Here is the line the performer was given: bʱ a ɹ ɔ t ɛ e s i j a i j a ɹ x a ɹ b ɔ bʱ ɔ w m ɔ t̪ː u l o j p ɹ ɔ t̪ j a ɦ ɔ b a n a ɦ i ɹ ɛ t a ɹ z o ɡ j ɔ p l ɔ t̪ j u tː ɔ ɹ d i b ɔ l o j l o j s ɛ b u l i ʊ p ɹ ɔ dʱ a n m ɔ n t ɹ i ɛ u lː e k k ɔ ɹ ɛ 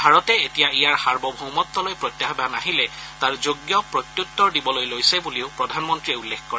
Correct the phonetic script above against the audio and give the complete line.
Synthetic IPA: bʱ a ɹ ɔ t ɛ e t i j a i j a ɹ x a ɹ b ɔ bʱ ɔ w m ɔ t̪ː ɔ l o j p ɹ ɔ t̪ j a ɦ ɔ b a n a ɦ i l ɛ t a ɹ z o ɡ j ɔ p ɹ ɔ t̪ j u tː ɔ ɹ d i b ɔ l o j l o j s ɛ b u l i ʊ p ɹ ɔ dʱ a n m ɔ n t ɹ i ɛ u lː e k k ɔ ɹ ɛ